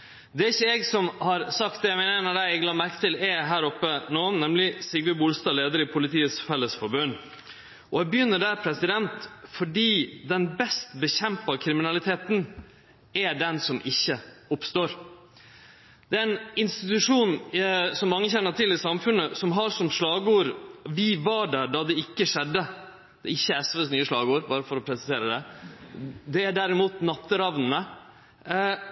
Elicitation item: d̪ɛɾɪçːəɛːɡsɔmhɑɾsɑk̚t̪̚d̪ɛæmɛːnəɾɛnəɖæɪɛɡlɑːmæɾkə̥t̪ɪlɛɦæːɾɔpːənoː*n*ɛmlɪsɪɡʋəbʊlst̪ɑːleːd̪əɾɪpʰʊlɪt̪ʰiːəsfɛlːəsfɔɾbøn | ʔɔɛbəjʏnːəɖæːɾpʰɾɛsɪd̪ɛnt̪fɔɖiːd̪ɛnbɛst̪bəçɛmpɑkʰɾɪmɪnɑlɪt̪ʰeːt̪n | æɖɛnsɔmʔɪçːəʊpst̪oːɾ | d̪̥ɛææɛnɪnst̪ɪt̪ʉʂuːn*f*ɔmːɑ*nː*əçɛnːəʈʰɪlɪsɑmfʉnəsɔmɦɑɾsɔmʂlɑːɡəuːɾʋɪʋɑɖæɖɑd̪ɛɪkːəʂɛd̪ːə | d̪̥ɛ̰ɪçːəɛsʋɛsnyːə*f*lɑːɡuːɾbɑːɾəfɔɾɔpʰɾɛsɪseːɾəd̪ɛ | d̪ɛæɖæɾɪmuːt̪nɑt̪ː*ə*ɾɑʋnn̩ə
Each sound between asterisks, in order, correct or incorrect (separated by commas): correct, incorrect, incorrect, incorrect, correct